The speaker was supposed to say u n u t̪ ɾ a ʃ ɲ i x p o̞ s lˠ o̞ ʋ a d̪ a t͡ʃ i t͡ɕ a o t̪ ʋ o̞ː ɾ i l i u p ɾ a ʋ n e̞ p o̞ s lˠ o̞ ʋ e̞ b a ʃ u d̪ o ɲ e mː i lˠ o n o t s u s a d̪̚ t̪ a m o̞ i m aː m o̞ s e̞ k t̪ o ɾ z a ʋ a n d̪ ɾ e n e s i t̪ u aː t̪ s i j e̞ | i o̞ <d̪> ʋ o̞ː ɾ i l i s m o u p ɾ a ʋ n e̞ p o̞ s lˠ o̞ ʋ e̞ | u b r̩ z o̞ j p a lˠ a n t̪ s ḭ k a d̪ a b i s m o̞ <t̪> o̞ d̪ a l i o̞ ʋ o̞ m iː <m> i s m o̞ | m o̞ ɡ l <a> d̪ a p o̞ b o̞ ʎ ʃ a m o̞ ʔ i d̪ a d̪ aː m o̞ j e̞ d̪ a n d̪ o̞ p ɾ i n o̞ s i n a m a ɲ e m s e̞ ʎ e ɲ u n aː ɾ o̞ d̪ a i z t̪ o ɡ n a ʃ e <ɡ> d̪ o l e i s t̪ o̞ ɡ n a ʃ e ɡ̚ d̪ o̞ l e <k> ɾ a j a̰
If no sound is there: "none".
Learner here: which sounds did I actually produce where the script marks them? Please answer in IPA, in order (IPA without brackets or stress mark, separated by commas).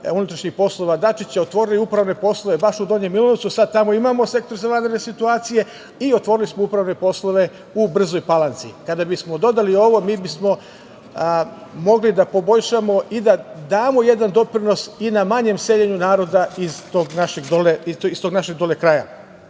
t̪, d̪, b, i, ɡ, k